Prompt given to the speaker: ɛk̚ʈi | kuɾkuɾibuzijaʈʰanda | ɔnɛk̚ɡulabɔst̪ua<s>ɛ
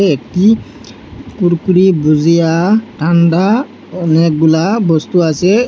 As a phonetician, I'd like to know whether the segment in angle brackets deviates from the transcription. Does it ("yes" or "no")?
no